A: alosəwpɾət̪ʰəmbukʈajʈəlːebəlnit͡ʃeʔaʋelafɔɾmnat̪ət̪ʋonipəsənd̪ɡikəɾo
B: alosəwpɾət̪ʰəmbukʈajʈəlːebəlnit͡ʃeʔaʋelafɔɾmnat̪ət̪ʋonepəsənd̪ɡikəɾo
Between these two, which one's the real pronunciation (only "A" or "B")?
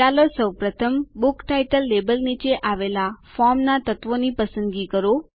A